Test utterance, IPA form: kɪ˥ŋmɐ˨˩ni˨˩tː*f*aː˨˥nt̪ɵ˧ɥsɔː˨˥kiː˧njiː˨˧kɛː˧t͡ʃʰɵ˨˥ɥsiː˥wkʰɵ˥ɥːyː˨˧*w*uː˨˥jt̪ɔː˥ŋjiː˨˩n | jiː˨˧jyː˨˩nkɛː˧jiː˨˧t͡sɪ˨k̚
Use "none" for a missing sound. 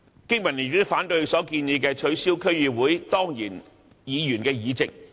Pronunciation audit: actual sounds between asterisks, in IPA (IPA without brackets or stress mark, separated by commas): f, w